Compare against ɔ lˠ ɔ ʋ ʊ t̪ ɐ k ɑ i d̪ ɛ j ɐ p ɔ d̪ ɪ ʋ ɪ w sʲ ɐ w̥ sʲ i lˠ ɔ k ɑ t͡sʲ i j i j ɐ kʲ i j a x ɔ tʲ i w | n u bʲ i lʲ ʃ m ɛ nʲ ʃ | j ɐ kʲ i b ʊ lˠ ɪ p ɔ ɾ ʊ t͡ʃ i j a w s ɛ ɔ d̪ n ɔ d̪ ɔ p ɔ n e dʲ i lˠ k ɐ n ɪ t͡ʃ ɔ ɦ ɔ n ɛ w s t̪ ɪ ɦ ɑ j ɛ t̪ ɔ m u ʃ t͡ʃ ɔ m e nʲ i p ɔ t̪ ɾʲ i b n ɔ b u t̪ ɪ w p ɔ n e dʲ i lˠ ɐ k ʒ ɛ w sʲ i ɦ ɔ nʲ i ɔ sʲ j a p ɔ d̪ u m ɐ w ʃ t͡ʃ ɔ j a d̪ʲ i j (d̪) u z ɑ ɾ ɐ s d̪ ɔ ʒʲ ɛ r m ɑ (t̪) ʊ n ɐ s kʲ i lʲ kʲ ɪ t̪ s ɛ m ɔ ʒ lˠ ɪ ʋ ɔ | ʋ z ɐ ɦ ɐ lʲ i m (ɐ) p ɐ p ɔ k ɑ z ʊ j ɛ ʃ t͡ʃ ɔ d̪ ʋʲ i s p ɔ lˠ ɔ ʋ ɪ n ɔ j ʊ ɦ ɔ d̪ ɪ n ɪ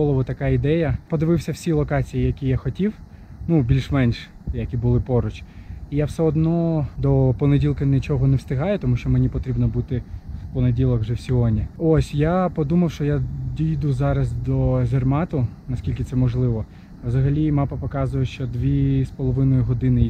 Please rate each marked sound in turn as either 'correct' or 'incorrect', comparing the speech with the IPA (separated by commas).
correct, correct, incorrect